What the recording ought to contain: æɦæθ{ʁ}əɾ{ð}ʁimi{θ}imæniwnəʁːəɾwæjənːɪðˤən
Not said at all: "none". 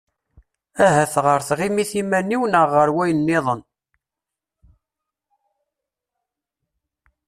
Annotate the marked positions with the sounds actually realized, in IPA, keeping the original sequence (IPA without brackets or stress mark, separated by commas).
ʁ, θ, θ